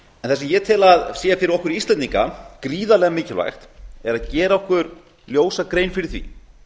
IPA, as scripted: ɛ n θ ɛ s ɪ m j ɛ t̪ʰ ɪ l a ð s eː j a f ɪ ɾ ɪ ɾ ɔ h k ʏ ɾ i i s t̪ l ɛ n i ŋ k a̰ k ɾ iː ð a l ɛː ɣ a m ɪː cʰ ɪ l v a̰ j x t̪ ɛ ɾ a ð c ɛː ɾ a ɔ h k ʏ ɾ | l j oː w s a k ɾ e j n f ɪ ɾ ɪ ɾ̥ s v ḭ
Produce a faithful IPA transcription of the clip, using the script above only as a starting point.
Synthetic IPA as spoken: ɛ n θ ɛ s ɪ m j ɛ t̪ʰ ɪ l a ð s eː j a f ɪ ɾ ɪ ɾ ɔ h k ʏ ɾ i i s t̪ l ɛ n i ŋ k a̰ k ɾ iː ð a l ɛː ɣ a m ɪː c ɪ l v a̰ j x t̪ ɛ ɾ a ð c ɛː ɾ a ɔ h k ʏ ɾ | l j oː w s a k ɾ e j n f ɪ ɾ ɪ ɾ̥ θ v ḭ